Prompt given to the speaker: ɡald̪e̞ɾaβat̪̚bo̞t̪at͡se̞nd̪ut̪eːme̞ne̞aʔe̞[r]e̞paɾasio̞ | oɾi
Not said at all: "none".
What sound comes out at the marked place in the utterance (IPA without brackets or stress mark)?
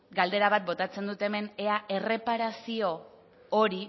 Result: r